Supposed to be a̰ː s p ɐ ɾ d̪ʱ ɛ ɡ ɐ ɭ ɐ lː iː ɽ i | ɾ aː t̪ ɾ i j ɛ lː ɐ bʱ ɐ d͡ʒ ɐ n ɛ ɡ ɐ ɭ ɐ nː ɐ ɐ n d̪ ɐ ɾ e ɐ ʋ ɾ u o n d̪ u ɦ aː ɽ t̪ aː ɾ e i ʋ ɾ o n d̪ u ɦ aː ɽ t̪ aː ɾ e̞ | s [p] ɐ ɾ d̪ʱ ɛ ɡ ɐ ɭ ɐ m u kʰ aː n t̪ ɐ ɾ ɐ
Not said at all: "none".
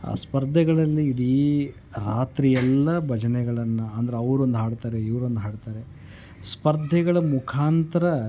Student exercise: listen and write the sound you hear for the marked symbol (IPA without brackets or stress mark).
p